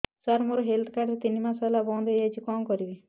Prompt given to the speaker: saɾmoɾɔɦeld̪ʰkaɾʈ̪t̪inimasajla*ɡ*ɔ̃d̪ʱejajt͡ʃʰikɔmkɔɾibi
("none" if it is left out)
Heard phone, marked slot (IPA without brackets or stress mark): b